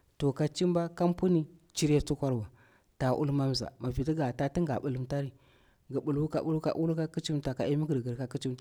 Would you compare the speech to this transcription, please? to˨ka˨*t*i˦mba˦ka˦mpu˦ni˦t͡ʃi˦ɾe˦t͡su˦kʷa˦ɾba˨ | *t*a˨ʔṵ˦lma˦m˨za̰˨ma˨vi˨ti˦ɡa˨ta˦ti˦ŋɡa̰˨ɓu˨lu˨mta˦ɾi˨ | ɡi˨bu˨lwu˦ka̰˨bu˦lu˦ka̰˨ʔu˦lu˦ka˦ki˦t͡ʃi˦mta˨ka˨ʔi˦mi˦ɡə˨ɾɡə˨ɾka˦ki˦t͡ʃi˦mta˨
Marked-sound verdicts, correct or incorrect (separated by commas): incorrect, correct